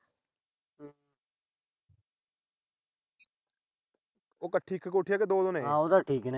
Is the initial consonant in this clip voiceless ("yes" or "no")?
yes